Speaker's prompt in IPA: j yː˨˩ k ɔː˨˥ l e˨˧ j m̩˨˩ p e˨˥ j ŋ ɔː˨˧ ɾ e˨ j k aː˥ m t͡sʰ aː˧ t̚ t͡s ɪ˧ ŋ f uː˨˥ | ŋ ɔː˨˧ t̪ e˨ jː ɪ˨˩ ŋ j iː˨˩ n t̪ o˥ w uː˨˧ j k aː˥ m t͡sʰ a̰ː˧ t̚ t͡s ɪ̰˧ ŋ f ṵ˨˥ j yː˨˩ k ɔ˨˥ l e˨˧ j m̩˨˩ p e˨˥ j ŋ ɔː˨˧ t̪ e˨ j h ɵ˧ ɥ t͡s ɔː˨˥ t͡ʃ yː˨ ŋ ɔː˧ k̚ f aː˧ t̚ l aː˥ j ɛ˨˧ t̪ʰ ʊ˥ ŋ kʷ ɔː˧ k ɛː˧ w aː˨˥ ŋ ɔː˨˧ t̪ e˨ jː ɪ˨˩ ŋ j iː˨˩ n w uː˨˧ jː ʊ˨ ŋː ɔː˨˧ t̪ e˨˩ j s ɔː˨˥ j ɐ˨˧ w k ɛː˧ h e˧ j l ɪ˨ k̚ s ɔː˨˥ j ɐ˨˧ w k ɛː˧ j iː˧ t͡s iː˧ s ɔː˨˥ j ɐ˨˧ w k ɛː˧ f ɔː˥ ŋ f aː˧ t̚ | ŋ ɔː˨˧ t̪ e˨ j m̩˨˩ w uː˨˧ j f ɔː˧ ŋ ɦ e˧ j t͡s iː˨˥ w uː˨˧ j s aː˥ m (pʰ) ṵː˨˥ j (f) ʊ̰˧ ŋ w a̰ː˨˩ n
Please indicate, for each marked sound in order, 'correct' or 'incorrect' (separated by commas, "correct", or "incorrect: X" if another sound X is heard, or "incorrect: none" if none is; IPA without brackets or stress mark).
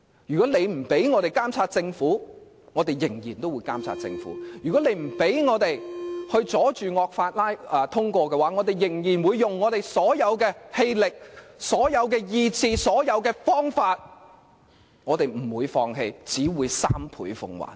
correct, correct